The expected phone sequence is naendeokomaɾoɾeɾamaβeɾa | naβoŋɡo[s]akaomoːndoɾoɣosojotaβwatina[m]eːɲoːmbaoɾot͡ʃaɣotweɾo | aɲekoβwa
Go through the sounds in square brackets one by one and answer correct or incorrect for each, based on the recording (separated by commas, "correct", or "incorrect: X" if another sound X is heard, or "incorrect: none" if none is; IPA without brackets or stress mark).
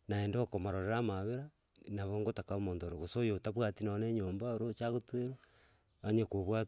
incorrect: t, incorrect: n